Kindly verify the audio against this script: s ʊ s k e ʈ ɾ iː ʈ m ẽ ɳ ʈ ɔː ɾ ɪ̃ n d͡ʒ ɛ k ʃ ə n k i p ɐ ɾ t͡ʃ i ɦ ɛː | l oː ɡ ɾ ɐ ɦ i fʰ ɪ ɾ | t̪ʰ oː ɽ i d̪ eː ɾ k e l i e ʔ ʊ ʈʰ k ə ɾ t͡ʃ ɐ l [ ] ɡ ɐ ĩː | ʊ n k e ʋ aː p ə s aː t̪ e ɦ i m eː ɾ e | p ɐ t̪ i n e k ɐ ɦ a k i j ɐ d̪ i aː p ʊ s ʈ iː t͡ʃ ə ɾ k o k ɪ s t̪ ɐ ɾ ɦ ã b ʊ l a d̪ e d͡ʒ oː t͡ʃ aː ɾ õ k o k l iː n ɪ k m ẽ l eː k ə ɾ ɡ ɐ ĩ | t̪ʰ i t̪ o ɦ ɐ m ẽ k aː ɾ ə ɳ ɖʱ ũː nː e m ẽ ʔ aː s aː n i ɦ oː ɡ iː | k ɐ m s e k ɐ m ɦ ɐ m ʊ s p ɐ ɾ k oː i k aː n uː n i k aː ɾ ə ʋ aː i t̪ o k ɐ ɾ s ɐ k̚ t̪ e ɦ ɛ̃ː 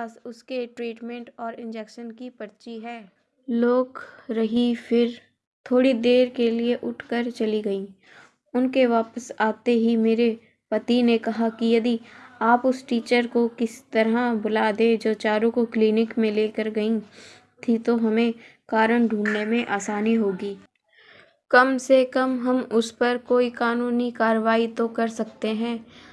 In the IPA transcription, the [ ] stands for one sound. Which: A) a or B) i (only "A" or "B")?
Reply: B